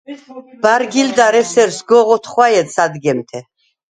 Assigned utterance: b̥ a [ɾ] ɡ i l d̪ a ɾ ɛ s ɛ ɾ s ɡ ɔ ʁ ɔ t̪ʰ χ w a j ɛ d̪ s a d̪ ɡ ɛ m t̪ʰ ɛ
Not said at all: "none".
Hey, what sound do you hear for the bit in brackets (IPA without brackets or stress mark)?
ɾ